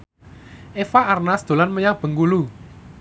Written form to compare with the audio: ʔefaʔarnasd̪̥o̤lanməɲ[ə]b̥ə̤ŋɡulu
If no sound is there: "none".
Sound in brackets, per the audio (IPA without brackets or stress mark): a